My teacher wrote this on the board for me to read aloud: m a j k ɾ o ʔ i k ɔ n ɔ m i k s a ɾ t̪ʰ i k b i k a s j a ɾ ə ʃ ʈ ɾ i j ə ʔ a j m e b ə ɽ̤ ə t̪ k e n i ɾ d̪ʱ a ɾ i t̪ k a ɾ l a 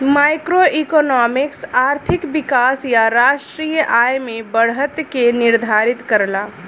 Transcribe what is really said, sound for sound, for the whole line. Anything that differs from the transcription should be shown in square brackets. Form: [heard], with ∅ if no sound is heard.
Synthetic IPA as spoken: m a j k ɾ o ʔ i k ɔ n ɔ m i k s a ɾ t̪ʰ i k b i k a s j a ɾ [a] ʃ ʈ ɾ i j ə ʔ a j m e b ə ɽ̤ ə t̪ k e n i ɾ d̪ʱ a ɾ i t̪ k [ə] ɾ l a

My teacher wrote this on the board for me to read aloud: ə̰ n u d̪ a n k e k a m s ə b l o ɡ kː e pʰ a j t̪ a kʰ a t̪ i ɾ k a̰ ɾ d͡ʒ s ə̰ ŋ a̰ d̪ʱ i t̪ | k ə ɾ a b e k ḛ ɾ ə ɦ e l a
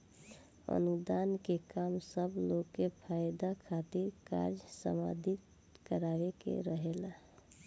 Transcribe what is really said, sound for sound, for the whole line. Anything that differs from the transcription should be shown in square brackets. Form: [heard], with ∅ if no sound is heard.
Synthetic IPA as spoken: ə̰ n u d̪ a n k e k a m s ə b l o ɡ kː e pʰ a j [d̪] a kʰ a t̪ i ɾ k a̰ ɾ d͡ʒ s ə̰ [m] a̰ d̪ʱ i t̪ | k ə ɾ a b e k ḛ ɾ ə ɦ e l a

